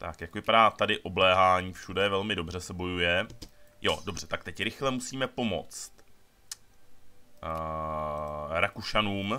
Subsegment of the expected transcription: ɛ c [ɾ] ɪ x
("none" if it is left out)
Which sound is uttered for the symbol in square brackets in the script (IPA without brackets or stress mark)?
ɾ